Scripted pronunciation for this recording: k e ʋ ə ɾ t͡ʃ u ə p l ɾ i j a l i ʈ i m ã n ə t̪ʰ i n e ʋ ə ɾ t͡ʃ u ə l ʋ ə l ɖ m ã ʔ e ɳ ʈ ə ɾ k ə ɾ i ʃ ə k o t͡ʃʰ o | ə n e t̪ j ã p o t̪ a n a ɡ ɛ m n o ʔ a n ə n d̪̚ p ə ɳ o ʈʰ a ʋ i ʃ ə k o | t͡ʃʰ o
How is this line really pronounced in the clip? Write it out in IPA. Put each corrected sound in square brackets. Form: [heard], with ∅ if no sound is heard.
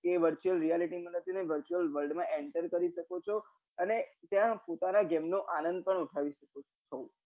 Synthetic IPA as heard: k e ʋ ə ɾ t͡ʃ u ə [∅] l ɾ i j a l i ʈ i m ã n ə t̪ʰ i n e ʋ ə ɾ t͡ʃ u ə l ʋ ə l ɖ m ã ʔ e ɳ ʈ ə ɾ k ə ɾ i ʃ ə k o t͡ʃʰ o | ə n e t̪ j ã p o t̪ a n a ɡ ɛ m n o ʔ a n ə n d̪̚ p ə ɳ [u] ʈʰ a ʋ i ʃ ə k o | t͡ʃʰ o